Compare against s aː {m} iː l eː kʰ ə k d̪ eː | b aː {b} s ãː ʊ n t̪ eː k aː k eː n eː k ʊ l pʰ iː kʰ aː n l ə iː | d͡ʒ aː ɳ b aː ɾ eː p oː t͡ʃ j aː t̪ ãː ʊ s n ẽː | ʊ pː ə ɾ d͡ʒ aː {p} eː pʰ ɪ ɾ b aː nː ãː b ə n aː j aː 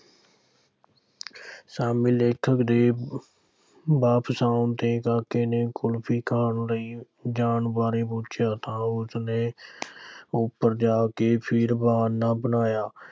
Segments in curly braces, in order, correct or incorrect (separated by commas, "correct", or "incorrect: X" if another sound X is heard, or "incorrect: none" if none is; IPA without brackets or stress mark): correct, incorrect: p, incorrect: k